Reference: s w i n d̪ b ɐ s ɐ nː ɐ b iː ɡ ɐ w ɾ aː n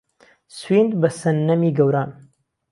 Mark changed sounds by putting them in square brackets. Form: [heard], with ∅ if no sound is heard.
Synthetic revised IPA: s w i n d̪ b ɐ s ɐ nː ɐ [m] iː ɡ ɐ w ɾ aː n